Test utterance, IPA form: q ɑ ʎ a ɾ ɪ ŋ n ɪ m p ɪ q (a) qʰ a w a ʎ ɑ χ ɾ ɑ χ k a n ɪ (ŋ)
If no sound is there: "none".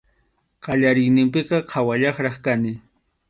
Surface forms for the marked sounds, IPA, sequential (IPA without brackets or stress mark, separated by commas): ɑ, none